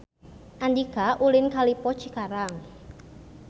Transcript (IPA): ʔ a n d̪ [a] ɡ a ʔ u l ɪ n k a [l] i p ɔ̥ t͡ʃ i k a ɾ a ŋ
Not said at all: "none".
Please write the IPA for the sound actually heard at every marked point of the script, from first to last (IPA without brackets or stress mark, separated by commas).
i, l